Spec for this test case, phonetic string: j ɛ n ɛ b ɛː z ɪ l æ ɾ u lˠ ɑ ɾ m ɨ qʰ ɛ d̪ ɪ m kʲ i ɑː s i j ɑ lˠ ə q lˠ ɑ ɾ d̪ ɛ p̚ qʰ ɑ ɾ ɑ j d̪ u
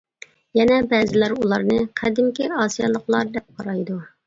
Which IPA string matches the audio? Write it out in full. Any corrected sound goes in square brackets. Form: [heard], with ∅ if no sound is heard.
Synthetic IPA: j ɛ n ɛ b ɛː z ɪ l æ ɾ u lˠ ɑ ɾ [n] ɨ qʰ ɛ d̪ ɪ m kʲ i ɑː s i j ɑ lˠ ə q lˠ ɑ ɾ d̪ ɛ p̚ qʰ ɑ ɾ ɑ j d̪ u

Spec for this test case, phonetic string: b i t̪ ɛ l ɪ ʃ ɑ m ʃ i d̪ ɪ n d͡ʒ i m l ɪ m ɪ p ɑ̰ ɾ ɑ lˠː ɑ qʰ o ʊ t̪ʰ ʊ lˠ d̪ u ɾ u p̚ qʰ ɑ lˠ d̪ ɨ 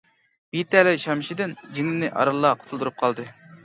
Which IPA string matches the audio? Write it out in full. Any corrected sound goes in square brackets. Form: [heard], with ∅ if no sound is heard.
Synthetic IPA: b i t̪ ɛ l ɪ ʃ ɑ m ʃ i d̪ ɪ n d͡ʒ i [ŋ] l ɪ [n] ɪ [ʔ] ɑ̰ ɾ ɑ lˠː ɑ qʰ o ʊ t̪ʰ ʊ lˠ d̪ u ɾ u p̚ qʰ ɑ lˠ d̪ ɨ

